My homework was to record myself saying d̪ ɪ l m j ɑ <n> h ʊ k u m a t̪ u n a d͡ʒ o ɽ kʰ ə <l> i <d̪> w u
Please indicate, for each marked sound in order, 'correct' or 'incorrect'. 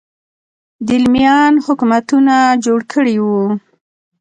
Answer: correct, incorrect: ɽ, incorrect: none

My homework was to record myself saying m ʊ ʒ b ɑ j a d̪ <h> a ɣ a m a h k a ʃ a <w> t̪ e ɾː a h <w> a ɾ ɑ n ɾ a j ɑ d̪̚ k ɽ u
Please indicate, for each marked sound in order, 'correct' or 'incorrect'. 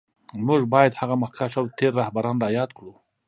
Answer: correct, correct, incorrect: b

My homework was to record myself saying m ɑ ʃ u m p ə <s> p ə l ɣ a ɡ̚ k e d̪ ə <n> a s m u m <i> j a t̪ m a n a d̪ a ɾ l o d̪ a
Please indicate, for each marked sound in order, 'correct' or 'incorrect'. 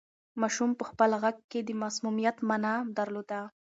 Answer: incorrect: x, incorrect: m, correct

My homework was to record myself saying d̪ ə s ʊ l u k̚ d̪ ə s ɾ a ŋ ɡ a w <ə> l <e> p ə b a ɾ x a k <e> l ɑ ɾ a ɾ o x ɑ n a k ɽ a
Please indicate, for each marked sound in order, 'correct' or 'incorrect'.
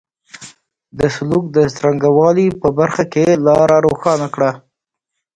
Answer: incorrect: ɑ, incorrect: i, correct

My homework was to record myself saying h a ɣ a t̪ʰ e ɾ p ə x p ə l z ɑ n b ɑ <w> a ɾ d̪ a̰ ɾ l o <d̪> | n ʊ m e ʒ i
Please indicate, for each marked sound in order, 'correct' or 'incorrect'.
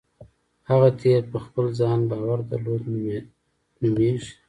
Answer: correct, correct

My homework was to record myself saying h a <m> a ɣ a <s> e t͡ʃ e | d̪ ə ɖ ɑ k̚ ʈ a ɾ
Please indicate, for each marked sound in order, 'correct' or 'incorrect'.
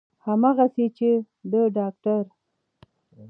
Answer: correct, correct

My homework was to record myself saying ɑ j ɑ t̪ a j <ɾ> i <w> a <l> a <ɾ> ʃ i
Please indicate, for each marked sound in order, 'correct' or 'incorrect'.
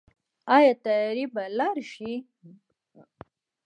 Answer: correct, incorrect: b, correct, correct

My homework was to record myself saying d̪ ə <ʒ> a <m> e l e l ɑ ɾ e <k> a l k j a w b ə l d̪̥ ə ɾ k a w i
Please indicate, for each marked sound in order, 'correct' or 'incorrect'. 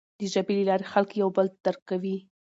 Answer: correct, incorrect: b, incorrect: x

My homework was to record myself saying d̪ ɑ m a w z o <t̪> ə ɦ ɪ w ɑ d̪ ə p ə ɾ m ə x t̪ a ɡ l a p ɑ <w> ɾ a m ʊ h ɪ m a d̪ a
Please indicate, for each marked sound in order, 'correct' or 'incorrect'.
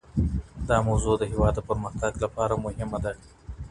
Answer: incorrect: d̪, incorrect: none

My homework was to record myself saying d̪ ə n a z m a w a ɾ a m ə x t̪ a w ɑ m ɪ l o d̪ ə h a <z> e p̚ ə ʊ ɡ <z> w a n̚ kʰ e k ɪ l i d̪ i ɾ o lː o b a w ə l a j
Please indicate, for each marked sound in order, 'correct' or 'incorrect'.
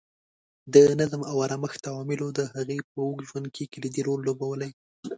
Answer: incorrect: ɣ, incorrect: ʒ

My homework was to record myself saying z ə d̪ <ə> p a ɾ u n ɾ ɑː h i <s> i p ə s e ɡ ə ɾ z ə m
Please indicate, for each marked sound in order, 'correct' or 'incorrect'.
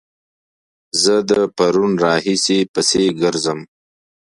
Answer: correct, correct

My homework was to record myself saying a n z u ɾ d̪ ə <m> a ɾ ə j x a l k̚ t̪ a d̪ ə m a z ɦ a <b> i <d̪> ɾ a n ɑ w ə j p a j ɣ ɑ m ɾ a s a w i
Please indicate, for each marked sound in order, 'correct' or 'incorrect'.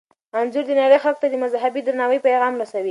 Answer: incorrect: n, correct, correct

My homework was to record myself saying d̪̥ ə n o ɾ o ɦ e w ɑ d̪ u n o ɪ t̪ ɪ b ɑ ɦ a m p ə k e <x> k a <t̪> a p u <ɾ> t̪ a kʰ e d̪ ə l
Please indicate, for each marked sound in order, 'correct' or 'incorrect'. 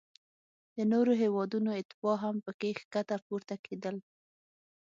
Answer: correct, correct, correct

